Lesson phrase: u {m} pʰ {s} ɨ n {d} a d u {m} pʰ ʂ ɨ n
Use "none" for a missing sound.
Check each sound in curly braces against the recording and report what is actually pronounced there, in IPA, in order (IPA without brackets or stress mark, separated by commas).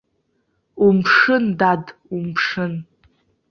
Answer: m, ʂ, d, m